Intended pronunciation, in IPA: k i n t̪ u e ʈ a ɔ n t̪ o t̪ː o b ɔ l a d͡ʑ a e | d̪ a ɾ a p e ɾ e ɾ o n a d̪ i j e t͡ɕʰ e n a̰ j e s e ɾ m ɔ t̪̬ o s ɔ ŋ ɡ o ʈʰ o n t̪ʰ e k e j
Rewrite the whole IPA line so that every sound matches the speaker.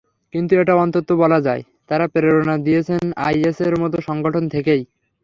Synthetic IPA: k i n t̪ u e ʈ a ɔ n t̪ o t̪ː o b ɔ l a d͡ʑ a e | t̪ a ɾ a p e ɾ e ɾ o n a d̪ i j e t͡ɕʰ e n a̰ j e s e ɾ m ɔ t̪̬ o ʃ ɔ ŋ ɡ o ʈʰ o n t̪ʰ e k e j